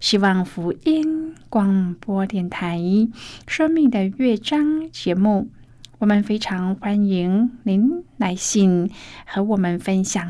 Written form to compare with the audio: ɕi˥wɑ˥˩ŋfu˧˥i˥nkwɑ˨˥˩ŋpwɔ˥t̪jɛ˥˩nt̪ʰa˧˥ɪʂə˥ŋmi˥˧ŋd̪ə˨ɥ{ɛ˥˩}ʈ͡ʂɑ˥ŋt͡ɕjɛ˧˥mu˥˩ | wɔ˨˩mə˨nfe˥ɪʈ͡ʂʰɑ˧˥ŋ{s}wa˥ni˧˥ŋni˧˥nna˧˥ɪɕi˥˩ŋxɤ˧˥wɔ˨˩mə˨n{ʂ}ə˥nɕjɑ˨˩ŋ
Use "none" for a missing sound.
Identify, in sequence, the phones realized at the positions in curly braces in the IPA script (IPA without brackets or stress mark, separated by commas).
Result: ɛ˥˩, x, f